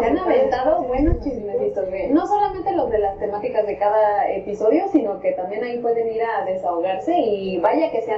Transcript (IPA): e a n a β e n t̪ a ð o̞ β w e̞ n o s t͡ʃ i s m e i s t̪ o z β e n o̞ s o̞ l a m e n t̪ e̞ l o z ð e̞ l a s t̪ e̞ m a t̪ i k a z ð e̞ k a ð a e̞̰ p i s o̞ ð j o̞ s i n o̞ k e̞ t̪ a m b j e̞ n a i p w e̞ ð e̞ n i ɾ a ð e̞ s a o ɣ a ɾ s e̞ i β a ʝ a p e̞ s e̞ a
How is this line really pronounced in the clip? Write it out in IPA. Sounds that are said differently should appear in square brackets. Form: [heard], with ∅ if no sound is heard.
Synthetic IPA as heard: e a n a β e n t̪ a ð o̞ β w e̞ n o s t͡ʃ i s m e i s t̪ o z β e n o̞ s o̞ l a m e n t̪ e̞ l o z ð e̞ l a s t̪ e̞ m a t̪ i k a z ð e̞ k a ð a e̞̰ p i s o̞ ð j o̞ s i n o̞ k e̞ t̪ a m b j e̞ n a i p w e̞ ð e̞ n i ɾ a ð e̞ s a o ɣ a ɾ s e̞ i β a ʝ a [k] e̞ s e̞ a